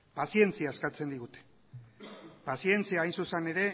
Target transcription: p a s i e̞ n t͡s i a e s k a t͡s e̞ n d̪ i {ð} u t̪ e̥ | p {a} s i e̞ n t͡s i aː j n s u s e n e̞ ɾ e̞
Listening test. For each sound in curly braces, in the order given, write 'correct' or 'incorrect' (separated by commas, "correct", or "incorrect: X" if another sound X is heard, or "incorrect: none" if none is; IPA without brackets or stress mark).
incorrect: ɣ, correct